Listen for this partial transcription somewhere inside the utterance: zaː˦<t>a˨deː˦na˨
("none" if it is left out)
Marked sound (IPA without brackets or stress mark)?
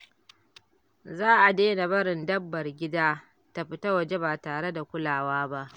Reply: ʔ